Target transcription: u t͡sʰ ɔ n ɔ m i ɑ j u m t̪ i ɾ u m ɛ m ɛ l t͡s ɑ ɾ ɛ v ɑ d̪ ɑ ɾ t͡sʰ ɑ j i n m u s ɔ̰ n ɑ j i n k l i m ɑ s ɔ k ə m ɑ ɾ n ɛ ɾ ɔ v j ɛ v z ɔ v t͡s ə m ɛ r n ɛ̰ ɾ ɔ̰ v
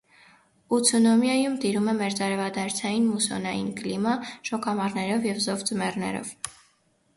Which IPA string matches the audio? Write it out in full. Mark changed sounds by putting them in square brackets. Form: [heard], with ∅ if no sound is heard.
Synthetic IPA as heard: u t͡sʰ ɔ n ɔ m [j] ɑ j u m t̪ i ɾ u m ɛ m ɛ [ɾ] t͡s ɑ ɾ ɛ v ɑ d̪ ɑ ɾ t͡sʰ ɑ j i n m u s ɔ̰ n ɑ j i n k l i m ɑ [ʃ] ɔ k [ɑ] m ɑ ɾ n ɛ ɾ ɔ v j ɛ v z ɔ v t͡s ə m ɛ r n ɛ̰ ɾ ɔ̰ v